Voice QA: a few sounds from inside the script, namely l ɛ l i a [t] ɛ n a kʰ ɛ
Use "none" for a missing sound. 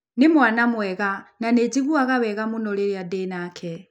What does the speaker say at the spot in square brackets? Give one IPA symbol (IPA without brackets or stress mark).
d